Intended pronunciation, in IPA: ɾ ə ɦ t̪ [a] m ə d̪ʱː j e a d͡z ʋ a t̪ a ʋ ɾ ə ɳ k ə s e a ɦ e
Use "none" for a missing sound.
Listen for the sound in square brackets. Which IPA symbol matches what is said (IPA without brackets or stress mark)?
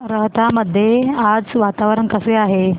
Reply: a